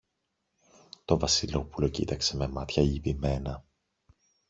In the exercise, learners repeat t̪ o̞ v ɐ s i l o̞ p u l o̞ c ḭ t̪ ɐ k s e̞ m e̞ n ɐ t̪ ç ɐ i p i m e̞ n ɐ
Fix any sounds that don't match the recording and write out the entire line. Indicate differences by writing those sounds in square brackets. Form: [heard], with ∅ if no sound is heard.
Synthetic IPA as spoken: t̪ o̞ v ɐ s i l o̞ p u l o̞ c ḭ t̪ ɐ k s e̞ m e̞ [m] ɐ t̪ ç ɐ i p i m e̞ n ɐ

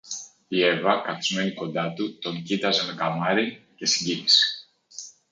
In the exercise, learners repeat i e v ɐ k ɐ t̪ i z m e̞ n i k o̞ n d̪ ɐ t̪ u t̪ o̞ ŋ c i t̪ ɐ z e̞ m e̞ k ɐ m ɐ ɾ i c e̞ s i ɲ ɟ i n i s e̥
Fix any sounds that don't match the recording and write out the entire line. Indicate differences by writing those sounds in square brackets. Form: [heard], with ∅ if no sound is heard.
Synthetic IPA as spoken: i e v ɐ k ɐ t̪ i z m e̞ n i k o̞ n d̪ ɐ t̪ u t̪ o̞ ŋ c i t̪ ɐ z e̞ m e̞ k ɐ m ɐ ɾ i c e̞ s i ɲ ɟ i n i s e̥

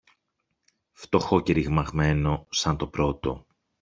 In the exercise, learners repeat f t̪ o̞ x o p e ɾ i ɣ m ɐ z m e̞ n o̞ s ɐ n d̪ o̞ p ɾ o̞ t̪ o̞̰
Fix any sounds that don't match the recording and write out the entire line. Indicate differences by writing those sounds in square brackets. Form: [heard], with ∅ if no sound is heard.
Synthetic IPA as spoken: f t̪ o̞ x o [c] e ɾ i ɣ m ɐ [ɣ] m e̞ n o̞ s ɐ n [t̪] o̞ p ɾ o̞ t̪ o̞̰

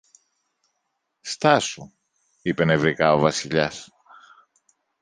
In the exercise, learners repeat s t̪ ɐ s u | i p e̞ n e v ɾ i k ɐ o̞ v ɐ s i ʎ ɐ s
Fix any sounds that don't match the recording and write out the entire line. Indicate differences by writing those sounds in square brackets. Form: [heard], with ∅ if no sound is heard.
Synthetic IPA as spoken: s t̪ ɐ s u | i p e̞ n e v ɾ i k ɐ o̞ v ɐ s i ʎ ɐ s

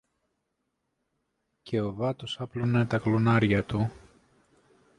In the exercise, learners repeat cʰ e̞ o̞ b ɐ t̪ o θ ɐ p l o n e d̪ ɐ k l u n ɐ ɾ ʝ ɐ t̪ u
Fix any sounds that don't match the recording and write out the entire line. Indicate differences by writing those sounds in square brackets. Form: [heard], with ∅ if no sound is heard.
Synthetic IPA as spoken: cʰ e̞ o̞ [v] ɐ t̪ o [s] ɐ p l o n e [t̪] ɐ k l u n ɐ ɾ ʝ ɐ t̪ u

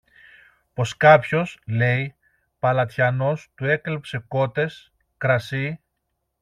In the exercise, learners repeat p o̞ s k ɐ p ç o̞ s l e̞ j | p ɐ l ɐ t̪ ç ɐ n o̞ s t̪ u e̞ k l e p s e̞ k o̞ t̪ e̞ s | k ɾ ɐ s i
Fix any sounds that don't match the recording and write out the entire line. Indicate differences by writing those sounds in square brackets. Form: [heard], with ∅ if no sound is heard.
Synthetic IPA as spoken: p o̞ s k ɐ p ç o̞ s l e̞ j | p ɐ l ɐ t̪ ç ɐ n o̞ s t̪ u e̞ k l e p s e̞ k o̞ t̪ e̞ s | k ɾ ɐ s i

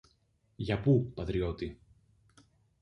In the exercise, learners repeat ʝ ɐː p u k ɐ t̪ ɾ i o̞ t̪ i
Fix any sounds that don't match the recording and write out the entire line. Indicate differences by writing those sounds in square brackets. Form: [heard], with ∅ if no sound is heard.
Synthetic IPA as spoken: ʝ [ɐ] p u [p] ɐ t̪ ɾ i o̞ t̪ i

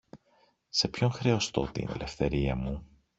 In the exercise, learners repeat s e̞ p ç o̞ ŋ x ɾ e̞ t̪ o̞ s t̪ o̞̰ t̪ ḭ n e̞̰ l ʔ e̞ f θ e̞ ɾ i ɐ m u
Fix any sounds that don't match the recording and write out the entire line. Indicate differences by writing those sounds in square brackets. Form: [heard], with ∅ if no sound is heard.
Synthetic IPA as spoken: s e̞ p ç o̞ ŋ x ɾ e̞ [∅] o̞ s t̪ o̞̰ t̪ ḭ n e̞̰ l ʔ e̞ f θ e̞ ɾ i ɐ m u

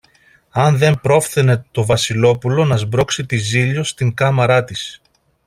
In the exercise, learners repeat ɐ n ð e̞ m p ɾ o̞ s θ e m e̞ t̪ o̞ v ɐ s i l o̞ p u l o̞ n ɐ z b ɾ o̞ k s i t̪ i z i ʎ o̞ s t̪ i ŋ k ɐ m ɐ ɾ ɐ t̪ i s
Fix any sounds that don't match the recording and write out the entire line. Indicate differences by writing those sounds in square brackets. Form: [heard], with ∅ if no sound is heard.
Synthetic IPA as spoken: ɐ n ð e̞ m p ɾ o̞ [f] θ e [n] e̞ t̪ o̞ v ɐ s i l o̞ p u l o̞ n ɐ z b ɾ o̞ k s i t̪ i z i ʎ o̞ s t̪ i ŋ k ɐ m ɐ ɾ ɐ t̪ i s

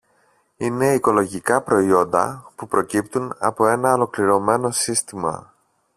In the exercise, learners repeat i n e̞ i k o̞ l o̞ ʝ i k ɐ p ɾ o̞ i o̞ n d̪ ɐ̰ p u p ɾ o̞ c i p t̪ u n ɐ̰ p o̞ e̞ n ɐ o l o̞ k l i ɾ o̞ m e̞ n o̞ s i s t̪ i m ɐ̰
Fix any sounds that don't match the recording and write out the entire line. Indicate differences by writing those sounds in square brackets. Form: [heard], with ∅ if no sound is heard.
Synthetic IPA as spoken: i n e̞ i k o̞ l o̞ ʝ i k ɐ p ɾ o̞ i o̞ n d̪ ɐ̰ p u p ɾ o̞ c i p t̪ u n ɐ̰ p o̞ e̞ n ɐ o l o̞ k l i ɾ o̞ m e̞ n o̞ s i s t̪ i m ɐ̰

